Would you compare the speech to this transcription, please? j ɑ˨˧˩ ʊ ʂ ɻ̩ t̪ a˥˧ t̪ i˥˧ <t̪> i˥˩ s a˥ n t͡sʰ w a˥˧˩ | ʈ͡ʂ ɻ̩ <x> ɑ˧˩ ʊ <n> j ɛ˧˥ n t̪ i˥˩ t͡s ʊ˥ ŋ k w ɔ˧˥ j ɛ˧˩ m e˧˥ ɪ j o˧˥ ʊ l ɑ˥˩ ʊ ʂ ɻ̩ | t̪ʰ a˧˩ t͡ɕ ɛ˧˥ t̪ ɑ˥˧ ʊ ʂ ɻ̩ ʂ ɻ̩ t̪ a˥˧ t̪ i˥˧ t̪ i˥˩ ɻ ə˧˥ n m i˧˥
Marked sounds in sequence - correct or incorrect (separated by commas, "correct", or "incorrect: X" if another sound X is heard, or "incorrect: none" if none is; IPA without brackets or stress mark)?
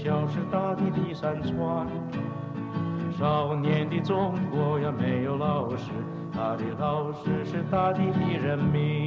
correct, incorrect: ʂ, correct